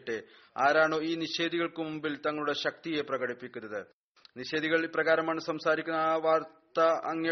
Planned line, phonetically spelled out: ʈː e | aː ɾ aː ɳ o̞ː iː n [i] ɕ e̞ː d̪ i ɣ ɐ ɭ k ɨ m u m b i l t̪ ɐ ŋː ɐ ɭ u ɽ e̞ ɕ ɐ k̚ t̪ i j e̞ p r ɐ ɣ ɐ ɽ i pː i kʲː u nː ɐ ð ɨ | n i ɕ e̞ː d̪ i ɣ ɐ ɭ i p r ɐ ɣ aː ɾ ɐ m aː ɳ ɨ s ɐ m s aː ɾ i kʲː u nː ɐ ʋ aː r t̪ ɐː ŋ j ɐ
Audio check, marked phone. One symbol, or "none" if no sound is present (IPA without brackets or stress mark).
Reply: i